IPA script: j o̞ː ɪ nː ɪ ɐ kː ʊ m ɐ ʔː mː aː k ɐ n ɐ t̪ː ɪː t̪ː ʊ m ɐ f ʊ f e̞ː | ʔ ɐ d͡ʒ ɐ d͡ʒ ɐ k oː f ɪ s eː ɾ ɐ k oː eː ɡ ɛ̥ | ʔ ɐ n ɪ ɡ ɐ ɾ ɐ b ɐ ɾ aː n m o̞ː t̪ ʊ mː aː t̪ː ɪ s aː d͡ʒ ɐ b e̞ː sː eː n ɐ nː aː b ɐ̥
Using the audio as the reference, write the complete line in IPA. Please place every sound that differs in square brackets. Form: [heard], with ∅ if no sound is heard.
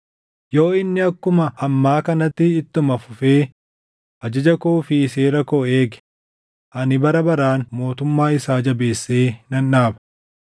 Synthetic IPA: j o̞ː ɪ nː ɪ ɐ kː ʊ m ɐ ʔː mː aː k ɐ n ɐ t̪ː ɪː t̪ː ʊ m ɐ f ʊ f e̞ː | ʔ ɐ d͡ʒ ɐ d͡ʒ ɐ k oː f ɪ s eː ɾ ɐ k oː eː ɡ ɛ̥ | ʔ ɐ n ɪ [b] ɐ ɾ ɐ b ɐ ɾ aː n m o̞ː t̪ ʊ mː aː [∅] ɪ s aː d͡ʒ ɐ b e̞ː sː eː n ɐ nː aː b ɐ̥